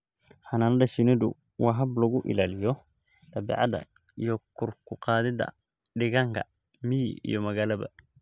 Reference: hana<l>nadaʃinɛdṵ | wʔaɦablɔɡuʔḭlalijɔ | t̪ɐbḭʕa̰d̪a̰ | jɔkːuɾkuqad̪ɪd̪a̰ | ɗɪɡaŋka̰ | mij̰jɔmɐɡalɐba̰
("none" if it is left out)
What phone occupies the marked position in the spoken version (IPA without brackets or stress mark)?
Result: none